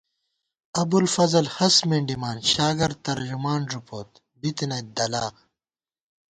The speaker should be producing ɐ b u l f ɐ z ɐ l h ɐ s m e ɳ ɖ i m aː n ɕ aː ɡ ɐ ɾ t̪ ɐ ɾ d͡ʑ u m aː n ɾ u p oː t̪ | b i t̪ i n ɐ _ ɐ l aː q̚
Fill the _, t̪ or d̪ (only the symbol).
d̪